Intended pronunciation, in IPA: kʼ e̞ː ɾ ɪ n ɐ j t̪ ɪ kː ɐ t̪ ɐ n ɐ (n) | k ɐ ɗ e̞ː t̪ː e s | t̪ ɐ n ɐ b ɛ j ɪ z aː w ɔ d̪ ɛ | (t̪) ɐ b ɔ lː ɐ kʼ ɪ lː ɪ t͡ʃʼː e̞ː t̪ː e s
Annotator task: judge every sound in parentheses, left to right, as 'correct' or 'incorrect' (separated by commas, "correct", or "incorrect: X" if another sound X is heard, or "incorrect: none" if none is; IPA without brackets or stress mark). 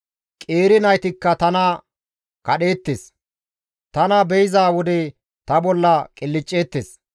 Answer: incorrect: none, correct